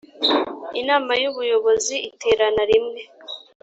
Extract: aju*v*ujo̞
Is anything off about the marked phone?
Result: yes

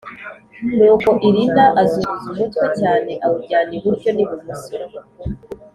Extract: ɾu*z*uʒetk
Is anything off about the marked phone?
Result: no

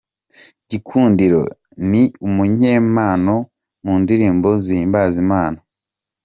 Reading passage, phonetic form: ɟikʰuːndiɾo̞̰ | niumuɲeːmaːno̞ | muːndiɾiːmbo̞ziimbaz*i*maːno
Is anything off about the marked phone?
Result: no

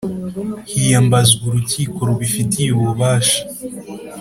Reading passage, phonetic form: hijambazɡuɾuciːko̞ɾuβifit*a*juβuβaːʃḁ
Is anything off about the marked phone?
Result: yes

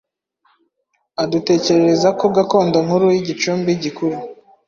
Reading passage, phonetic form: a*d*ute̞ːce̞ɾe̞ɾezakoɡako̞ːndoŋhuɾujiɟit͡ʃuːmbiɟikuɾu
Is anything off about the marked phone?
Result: no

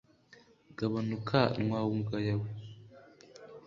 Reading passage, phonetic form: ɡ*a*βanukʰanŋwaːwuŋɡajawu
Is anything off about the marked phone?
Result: no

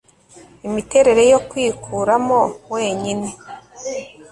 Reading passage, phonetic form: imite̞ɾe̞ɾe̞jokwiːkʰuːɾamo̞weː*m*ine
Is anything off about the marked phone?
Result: yes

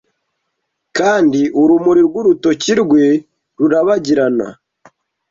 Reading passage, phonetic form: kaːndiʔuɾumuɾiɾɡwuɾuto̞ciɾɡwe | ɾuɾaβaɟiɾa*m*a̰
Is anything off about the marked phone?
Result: yes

